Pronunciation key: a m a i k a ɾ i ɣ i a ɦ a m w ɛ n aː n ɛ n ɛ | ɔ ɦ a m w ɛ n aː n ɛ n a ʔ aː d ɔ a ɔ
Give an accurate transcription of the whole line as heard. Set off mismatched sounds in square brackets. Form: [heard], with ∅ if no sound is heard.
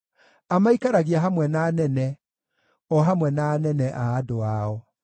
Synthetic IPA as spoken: a m a i k a ɾ [a] ɣ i a ɦ a m w ɛ n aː n ɛ n ɛ | ɔ ɦ a m w ɛ n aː n ɛ n [ɛ] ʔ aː d [o] a ɔ